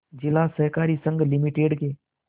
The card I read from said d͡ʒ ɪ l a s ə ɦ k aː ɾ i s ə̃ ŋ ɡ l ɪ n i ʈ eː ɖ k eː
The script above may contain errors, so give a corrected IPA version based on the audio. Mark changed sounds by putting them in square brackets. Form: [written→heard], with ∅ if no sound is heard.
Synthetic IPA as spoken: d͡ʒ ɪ l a s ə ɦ k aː ɾ i s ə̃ ŋ ɡ l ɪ [n→m] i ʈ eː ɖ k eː